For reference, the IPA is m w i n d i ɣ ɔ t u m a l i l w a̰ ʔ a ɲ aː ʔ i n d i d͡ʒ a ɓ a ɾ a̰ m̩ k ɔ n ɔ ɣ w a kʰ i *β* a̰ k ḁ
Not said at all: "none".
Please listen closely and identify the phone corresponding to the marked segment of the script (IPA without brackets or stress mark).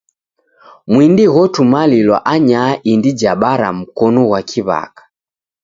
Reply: β